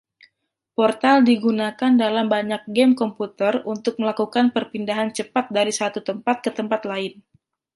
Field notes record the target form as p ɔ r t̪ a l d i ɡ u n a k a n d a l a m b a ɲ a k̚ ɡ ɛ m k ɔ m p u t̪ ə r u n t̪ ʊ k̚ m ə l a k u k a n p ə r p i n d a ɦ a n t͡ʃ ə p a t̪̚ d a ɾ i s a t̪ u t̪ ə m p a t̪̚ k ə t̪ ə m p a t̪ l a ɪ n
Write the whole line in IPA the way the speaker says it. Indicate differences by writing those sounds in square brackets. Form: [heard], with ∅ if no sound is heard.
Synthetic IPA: p ɔ r t̪ a l d i ɡ u n a k a n d a l a m b a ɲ a k̚ ɡ ɛ m k ɔ m p u t̪ ə r u n t̪ ʊ k̚ m ə l a k u k a n p ə r p i n d a ɦ a n t͡ʃ ə p a t̪̚ d a ɾ i s a t̪ u t̪ ə m p a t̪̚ k ə t̪ ə m p a t̪ l a ɪ n